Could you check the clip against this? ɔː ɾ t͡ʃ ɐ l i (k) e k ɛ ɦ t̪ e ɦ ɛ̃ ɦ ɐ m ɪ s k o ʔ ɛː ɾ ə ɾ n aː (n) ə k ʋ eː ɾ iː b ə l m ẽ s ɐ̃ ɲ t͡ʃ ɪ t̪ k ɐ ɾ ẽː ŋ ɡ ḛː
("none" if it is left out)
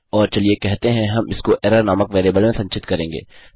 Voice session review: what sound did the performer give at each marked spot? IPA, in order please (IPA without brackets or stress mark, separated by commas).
none, m